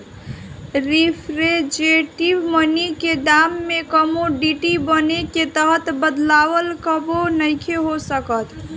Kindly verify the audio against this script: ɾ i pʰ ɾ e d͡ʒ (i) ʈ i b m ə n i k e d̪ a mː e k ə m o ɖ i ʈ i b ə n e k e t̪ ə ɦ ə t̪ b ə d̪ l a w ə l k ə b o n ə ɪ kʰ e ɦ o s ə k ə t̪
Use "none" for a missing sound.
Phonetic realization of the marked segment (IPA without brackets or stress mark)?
e